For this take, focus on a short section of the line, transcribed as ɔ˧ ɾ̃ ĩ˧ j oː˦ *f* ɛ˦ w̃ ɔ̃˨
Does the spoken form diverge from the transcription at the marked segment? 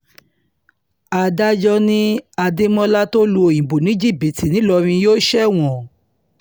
yes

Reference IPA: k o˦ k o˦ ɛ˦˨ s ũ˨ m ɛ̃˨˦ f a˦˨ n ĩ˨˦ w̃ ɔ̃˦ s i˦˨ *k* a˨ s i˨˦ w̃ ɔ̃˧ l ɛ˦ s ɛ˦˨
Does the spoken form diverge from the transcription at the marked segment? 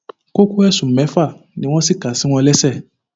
no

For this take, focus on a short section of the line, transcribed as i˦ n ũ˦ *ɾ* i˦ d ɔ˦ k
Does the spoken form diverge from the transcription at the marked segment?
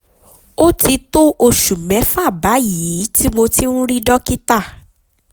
no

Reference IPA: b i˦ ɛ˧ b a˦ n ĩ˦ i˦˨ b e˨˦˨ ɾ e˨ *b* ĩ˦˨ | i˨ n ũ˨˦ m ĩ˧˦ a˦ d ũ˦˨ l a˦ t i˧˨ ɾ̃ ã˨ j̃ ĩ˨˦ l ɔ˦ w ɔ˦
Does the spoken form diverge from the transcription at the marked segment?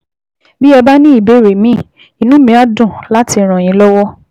yes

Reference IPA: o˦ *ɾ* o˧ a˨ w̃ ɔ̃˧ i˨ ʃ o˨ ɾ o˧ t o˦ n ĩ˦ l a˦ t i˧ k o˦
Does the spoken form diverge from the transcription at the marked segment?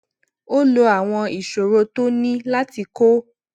yes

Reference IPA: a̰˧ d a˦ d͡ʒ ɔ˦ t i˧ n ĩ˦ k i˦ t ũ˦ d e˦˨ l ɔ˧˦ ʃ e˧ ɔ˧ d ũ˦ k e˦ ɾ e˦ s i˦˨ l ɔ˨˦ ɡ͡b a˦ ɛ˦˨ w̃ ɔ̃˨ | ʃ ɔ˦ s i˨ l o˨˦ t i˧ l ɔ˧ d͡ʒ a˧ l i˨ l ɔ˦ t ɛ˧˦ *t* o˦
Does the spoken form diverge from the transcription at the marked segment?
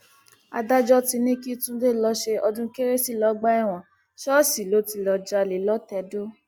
yes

